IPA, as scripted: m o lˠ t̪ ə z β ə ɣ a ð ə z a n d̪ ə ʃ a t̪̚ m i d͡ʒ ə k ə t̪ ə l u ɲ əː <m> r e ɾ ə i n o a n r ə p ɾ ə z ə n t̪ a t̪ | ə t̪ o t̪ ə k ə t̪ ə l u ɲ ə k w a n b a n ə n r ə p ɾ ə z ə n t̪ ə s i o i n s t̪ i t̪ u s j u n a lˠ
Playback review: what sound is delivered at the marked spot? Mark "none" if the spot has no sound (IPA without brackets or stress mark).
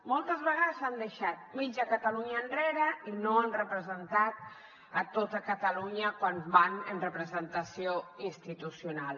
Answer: n